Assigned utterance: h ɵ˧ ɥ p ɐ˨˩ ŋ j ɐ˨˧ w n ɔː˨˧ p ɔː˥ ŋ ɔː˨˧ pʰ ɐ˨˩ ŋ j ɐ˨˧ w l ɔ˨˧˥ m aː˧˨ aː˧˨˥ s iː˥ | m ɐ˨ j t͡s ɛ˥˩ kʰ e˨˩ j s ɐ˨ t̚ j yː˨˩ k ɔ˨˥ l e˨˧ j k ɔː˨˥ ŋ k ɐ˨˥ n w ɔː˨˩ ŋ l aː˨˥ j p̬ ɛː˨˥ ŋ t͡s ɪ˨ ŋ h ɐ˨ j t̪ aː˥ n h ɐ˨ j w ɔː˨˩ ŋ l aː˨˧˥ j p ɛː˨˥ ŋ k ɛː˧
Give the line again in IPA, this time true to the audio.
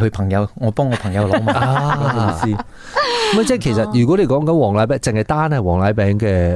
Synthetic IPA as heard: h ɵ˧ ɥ pʰ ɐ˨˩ ŋ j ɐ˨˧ w ŋ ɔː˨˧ p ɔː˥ ŋ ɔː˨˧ pʰ ɐ˨˩ ŋ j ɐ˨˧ w l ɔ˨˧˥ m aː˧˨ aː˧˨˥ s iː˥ | m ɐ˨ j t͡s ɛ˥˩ kʰ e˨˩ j s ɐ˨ t̚ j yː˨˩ k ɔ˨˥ l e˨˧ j k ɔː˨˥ ŋ k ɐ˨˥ n w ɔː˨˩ ŋ l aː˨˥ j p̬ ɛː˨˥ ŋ t͡s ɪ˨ ŋ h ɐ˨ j t̪ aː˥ n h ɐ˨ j w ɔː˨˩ ŋ l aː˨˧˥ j p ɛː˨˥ ŋ k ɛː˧